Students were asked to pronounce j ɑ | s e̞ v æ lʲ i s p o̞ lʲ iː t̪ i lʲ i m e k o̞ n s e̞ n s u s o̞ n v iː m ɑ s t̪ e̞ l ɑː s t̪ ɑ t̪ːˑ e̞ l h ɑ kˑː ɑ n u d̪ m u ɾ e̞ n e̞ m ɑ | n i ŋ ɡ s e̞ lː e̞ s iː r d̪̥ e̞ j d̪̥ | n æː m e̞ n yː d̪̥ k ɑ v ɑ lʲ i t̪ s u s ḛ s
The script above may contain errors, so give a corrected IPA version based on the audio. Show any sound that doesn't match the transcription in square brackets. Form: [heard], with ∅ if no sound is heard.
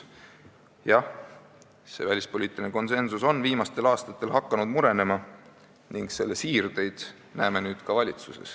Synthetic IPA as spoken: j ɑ | s e̞ v æ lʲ i s p o̞ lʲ iː t̪ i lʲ i [n] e k o̞ n s e̞ n s u s o̞ n v iː m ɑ s t̪ e̞ l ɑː s t̪ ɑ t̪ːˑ e̞ l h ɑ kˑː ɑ n u d̪ m u ɾ e̞ n e̞ m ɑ | n i ŋ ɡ s e̞ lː e̞ s iː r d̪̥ e̞ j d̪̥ | n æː m e̞ n yː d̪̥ k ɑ v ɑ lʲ i t̪ s u s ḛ s